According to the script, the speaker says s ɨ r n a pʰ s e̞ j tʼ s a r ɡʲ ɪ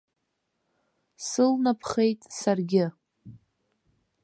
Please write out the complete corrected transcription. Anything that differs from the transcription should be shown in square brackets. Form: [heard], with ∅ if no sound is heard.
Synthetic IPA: s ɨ [l] n a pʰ [χ] e̞ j tʼ s a r ɡʲ ɪ

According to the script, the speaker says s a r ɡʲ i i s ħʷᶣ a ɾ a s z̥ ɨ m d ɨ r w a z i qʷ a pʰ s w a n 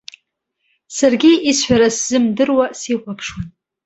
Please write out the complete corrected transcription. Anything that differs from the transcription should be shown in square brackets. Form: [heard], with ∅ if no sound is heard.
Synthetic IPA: s a r ɡʲ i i s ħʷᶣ a ɾ a s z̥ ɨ m d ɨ r w a [s] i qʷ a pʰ [ʂ] w a n

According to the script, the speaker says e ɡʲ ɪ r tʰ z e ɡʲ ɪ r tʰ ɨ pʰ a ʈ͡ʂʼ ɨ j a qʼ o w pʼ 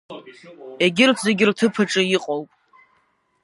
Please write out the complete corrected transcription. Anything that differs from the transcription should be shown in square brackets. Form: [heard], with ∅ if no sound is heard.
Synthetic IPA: e ɡʲ ɪ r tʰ z e ɡʲ ɪ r tʰ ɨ pʰ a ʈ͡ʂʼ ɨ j [i] qʼ o w pʼ

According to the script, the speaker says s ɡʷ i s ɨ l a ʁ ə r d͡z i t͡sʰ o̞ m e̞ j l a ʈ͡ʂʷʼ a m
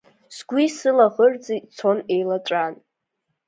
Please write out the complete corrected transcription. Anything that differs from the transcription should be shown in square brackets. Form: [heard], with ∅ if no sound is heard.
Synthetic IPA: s ɡʷ i s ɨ l a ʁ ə r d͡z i t͡sʰ o̞ [n] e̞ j l a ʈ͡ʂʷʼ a [n]

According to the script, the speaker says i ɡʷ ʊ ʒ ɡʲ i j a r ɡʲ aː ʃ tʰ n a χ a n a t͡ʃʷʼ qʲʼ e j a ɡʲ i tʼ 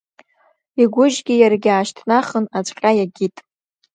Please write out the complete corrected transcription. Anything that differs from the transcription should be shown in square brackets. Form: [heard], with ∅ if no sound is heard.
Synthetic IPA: i ɡʷ ʊ ʒ ɡʲ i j a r ɡʲ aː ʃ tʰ n a χ [ə] n a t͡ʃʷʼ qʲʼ [a] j a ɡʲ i tʼ

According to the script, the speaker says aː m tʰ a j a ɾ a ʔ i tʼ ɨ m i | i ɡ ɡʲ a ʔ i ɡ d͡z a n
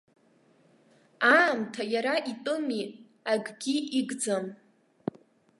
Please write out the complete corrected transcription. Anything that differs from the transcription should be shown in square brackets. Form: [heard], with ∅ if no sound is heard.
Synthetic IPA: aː m tʰ a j a ɾ a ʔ i tʼ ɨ m i | [a] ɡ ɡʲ [i] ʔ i ɡ d͡z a [m]

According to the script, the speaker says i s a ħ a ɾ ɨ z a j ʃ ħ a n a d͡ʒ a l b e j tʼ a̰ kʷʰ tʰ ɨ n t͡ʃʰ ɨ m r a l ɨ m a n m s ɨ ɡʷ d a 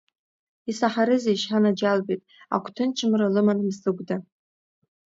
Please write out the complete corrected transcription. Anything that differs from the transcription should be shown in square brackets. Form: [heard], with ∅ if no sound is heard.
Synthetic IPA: i s a ħ a ɾ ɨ z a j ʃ ħ a n a d͡ʒ a l b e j tʼ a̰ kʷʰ tʰ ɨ n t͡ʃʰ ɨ m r a l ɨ m a n m s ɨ ɡʷ d a

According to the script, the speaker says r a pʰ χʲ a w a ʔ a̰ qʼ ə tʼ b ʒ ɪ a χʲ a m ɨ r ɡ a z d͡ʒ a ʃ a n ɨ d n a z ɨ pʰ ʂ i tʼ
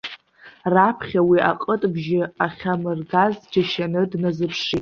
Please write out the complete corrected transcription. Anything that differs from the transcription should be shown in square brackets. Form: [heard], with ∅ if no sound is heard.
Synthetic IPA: r a pʰ χʲ a w [i] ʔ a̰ qʼ ə tʼ b ʒ ɪ a χʲ a m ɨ r ɡ a z d͡ʒ a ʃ a n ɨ d n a z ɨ pʰ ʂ i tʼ

